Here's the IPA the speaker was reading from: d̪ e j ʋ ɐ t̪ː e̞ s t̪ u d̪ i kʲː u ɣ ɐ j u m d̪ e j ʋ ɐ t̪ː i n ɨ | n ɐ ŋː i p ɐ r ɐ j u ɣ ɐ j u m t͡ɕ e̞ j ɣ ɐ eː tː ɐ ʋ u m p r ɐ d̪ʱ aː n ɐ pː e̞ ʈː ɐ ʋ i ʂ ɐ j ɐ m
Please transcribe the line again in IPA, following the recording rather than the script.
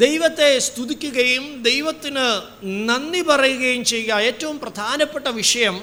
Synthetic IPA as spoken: d̪ e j ʋ ɐ t̪ː e̞ s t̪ u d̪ i kʲː u ɣ ɐ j u m d̪ e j ʋ ɐ t̪ː i n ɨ | n ɐ nː i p ɐ r ɐ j u ɣ ɐ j u m t͡ɕ e̞ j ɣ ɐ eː tː ɐ ʋ u m p r ɐ d̪ʱ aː n ɐ pː e̞ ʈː ɐ ʋ i ʂ ɐ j ɐ m